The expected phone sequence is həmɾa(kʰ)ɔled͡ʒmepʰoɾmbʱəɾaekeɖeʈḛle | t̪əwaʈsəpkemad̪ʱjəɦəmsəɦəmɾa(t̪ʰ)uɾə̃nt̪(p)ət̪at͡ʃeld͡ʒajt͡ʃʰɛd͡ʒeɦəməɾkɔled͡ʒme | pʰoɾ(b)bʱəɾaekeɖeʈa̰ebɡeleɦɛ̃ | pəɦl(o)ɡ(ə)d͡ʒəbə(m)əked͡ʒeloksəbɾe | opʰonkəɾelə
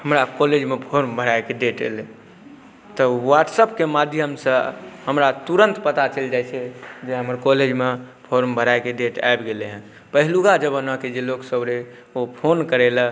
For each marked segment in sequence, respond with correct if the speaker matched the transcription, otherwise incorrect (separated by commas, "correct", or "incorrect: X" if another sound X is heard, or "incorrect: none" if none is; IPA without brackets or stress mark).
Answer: incorrect: k, incorrect: t̪, correct, incorrect: m, incorrect: u, incorrect: a, incorrect: n